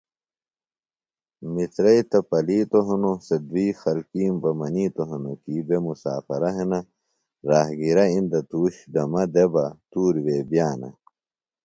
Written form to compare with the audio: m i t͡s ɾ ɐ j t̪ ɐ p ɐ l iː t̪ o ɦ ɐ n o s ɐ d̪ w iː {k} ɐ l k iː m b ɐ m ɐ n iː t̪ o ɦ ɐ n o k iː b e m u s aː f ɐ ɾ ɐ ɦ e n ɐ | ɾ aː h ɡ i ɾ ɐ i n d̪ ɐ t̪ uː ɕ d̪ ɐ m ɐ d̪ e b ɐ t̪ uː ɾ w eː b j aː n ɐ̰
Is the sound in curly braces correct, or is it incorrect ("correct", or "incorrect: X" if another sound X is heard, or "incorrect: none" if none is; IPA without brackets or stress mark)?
incorrect: x